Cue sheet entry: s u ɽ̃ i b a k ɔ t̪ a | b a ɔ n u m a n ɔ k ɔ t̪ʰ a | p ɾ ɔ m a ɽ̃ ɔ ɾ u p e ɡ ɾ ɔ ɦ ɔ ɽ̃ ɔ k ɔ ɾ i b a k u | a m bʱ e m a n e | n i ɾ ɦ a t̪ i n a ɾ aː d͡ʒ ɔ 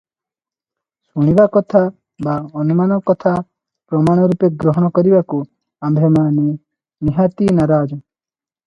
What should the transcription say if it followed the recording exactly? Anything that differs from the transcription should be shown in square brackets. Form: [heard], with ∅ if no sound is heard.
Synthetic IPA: s u ɽ̃ i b a k ɔ [t̪ʰ] a | b a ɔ n u m a n ɔ k ɔ t̪ʰ a | p ɾ ɔ m a ɽ̃ ɔ ɾ u p e ɡ ɾ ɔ ɦ ɔ ɽ̃ ɔ k ɔ ɾ i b a k u | a m bʱ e m a n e | n i [∅] ɦ a t̪ i n a ɾ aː d͡ʒ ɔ

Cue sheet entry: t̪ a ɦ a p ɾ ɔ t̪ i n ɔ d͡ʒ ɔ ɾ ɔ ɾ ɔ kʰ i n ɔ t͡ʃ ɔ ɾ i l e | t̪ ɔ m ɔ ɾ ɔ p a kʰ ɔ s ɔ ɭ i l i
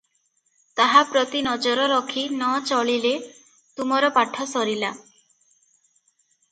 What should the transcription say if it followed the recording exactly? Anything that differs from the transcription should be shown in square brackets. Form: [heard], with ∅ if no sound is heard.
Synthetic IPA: t̪ a ɦ a p ɾ ɔ t̪ i n ɔ d͡ʒ ɔ ɾ ɔ ɾ ɔ kʰ i n ɔ t͡ʃ ɔ [ɭ] i l e | t̪ [u] m ɔ ɾ ɔ p a [ʈʰ] ɔ s ɔ [ɾ] i l [a]

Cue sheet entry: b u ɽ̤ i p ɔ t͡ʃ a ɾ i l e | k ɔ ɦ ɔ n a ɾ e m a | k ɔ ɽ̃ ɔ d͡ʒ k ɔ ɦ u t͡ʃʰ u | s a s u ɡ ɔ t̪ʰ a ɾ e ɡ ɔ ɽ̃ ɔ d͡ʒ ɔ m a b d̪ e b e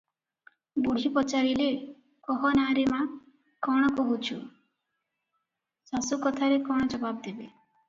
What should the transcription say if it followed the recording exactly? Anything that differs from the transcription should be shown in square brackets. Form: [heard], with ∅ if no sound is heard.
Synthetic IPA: b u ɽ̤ i p ɔ t͡ʃ a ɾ i l e | k ɔ ɦ ɔ n a ɾ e m a | k ɔ ɽ̃ ɔ [∅] k ɔ ɦ u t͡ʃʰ u | s a s u [k] ɔ t̪ʰ a ɾ e [k] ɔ ɽ̃ ɔ d͡ʒ ɔ [b] a b d̪ e b e

